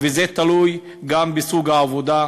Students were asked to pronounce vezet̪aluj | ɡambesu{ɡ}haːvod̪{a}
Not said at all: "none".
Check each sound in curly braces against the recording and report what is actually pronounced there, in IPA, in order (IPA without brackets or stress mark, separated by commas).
ɡ, a